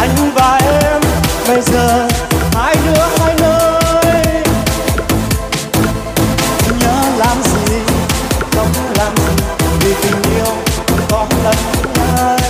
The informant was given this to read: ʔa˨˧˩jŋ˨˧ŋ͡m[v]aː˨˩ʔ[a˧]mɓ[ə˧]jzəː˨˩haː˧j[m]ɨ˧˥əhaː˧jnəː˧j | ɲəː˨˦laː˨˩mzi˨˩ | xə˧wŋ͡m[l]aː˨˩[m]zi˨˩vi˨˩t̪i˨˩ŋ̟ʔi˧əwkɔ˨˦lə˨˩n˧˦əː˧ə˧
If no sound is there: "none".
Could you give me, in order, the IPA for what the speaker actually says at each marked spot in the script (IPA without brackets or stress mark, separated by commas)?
v, ɛ˧, ə˧, n, l, m